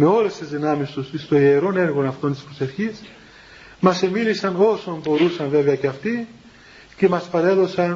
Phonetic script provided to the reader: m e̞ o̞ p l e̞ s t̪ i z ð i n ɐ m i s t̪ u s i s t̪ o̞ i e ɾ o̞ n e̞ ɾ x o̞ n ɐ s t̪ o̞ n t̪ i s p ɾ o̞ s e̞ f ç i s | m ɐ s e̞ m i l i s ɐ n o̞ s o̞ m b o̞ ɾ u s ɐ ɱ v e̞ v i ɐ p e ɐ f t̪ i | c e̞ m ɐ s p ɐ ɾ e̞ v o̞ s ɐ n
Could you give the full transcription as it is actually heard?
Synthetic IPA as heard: m e̞ o̞ l e̞ s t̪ i z ð i n ɐ m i s t̪ u s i s t̪ o̞ i e ɾ o̞ n e̞ ɾ ɣ o̞ n ɐ f t̪ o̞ n t̪ i s p ɾ o̞ s e̞ f ç i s | m ɐ s e̞ m i l i s ɐ n o̞ s o̞ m b o̞ ɾ u s ɐ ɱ v e̞ v e ɐ c e ɐ f t̪ i | c e̞ m ɐ s p ɐ ɾ e̞ ð o̞ s ɐ n